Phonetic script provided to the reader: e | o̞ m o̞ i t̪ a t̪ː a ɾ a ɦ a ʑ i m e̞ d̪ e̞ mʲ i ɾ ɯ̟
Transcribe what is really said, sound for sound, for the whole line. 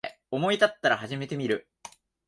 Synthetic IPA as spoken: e | o̞ m o̞ i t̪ a t̪ː a ɾ a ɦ a ʑ i m e̞ t̪ e̞ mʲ i ɾ ɯ̟